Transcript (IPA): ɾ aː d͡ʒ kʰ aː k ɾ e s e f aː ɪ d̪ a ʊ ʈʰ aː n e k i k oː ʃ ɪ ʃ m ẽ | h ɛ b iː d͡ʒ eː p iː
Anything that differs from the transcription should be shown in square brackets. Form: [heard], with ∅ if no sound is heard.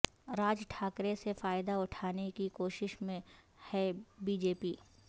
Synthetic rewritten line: ɾ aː d͡ʒ [ʈʰ] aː k ɾ e s e f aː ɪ d̪ a ʊ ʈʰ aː n e k i k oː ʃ ɪ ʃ m ẽ | h ɛ b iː d͡ʒ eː p iː